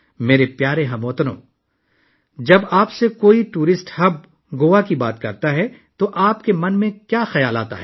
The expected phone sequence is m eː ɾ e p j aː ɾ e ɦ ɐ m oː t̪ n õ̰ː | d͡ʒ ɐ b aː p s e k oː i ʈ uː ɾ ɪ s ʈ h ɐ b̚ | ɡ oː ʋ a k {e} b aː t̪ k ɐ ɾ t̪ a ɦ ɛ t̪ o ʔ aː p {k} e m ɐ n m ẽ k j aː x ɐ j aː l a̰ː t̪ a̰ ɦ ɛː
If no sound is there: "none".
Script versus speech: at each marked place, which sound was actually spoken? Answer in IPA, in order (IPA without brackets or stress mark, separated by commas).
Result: i, k